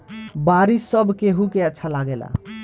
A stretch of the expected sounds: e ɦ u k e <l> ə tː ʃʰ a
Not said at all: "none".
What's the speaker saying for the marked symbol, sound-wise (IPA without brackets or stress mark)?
none